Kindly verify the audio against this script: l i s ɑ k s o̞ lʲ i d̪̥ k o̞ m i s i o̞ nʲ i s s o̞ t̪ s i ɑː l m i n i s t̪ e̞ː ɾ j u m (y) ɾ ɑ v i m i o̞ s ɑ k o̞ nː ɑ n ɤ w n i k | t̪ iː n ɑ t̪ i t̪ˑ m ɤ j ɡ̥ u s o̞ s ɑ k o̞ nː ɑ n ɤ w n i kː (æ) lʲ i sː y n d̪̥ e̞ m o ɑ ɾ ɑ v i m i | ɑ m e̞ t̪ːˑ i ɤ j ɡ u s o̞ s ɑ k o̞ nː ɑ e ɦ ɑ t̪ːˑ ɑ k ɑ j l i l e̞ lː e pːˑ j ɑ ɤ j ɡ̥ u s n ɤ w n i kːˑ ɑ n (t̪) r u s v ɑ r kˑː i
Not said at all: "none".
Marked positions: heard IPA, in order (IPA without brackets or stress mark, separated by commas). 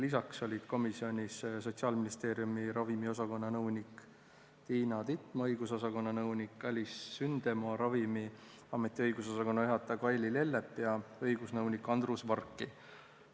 i, æ, d̪